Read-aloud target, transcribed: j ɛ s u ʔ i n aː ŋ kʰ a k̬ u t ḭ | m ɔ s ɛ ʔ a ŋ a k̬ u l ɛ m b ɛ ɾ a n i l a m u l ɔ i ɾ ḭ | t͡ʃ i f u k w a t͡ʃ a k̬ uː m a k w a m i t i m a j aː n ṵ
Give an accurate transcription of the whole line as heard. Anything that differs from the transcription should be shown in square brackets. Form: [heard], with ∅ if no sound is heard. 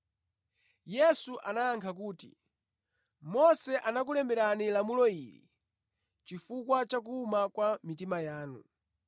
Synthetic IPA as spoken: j ɛ s u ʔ [a] n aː ŋ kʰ a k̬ [uː] t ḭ | m ɔ s ɛ ʔ a [n] a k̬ u l ɛ m b ɛ ɾ a n i l a m u l ɔ i ɾ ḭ | t͡ʃ i f u k w a t͡ʃ a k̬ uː m a k w a m i t i m a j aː n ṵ